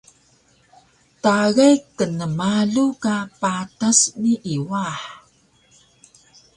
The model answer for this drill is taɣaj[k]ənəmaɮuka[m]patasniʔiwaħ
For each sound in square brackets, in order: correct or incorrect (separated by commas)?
correct, incorrect